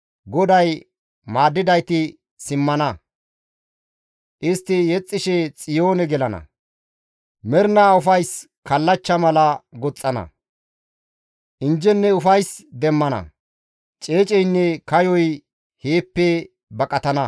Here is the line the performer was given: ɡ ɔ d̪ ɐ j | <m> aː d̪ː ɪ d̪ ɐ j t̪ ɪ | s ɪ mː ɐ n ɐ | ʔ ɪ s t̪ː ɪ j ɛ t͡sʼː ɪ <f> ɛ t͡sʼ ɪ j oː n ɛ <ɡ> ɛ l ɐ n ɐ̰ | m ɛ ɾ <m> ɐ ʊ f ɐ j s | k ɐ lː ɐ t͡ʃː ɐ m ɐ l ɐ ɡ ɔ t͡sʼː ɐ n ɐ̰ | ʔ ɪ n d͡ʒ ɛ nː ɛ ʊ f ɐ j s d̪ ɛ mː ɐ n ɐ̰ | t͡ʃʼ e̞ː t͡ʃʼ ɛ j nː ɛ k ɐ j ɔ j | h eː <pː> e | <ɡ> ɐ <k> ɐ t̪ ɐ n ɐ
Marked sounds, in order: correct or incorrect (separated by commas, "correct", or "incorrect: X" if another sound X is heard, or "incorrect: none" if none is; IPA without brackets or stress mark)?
correct, incorrect: ʃ, correct, incorrect: n, correct, incorrect: b, incorrect: kʼ